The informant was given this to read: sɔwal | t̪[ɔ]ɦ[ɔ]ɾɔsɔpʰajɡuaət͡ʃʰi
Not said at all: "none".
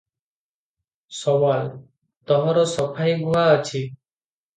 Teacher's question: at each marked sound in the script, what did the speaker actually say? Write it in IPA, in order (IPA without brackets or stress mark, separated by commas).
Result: ɔ, ɔ